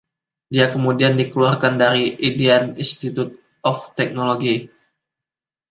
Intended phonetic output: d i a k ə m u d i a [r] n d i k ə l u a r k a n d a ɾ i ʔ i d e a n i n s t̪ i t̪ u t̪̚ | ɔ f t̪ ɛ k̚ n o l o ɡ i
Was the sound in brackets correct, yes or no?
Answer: no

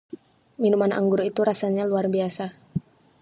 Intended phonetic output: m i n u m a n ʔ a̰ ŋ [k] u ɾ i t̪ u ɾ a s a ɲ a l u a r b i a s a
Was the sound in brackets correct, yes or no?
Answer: no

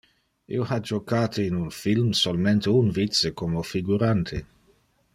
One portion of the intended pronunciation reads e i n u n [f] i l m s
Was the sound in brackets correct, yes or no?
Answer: yes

